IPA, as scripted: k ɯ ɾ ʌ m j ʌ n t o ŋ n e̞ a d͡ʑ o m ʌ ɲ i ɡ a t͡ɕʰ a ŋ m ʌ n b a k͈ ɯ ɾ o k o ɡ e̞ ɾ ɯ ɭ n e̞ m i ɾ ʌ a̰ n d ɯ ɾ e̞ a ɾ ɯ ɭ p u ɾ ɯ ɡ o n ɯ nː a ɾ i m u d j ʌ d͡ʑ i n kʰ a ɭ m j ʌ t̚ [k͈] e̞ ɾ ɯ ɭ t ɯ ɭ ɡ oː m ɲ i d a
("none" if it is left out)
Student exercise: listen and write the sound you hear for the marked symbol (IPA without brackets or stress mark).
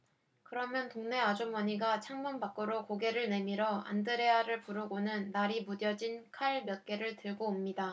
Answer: k͈